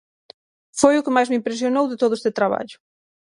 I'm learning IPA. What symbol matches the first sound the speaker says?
f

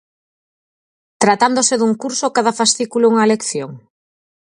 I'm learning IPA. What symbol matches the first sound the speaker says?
t̪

